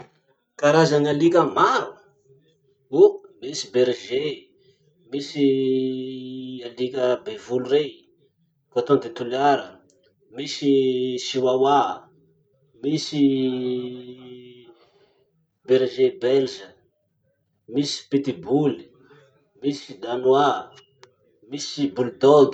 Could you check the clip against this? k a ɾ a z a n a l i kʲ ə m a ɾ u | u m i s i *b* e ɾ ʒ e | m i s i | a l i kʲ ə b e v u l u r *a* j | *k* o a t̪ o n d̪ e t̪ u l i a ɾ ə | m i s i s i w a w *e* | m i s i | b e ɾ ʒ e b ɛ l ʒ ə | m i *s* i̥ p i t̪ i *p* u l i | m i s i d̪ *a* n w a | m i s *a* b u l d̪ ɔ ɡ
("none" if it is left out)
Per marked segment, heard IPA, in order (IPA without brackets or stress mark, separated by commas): b, e, k, a, s, b, a, i